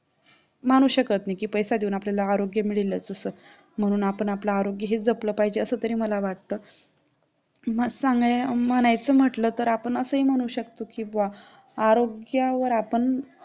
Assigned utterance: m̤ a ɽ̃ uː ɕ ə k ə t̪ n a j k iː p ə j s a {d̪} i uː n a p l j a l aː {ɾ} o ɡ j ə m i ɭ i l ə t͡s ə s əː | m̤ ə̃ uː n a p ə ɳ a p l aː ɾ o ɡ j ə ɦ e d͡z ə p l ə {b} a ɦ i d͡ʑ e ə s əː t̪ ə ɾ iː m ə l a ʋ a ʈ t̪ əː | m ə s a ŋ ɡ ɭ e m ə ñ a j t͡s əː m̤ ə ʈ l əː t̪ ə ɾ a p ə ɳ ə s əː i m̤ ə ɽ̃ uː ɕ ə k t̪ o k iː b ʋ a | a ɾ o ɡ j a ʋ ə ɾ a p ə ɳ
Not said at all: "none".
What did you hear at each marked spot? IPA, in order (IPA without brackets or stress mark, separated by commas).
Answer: d̪, ɾ, p